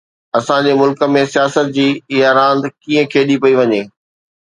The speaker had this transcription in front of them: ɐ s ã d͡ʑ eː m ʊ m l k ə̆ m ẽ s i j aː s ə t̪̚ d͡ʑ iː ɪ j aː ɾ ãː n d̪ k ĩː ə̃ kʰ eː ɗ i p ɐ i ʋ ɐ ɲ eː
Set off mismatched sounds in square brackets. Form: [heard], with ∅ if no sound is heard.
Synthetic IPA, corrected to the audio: ɐ s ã d͡ʑ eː m ʊ [∅] l k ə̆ m ẽ s i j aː s ə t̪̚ d͡ʑ iː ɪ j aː ɾ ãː n d̪ k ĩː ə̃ kʰ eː ɗ i p ɐ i ʋ ɐ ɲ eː